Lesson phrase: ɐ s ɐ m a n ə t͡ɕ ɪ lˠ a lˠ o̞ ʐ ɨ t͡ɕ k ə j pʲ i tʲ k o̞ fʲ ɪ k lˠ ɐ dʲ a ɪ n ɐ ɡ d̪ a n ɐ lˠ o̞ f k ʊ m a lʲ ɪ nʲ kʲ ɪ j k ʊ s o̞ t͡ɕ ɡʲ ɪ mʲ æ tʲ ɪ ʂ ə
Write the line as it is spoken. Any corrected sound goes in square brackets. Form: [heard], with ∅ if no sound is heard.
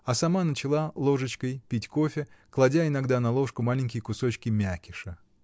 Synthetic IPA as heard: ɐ s ɐ m a n ə t͡ɕ ɪ lˠ a lˠ o̞ ʐ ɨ t͡ɕ k ə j pʲ i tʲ k o̞ fʲ ɪ k lˠ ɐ dʲ a ɪ n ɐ ɡ d̪ a n ɐ lˠ o̞ [ʂ] k ʊ m a lʲ ɪ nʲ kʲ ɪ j k ʊ s o̞ t͡ɕ [kʲ] ɪ mʲ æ [kʲ] ɪ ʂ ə